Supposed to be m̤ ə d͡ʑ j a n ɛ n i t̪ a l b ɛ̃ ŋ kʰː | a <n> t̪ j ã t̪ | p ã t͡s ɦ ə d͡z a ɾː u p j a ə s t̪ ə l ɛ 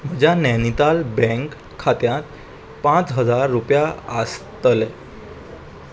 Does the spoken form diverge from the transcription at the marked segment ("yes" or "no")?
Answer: yes